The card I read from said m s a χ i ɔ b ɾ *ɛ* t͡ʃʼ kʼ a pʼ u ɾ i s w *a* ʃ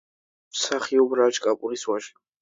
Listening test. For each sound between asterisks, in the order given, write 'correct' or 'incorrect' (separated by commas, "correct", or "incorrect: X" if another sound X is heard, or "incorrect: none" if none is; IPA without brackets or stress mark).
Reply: incorrect: a, correct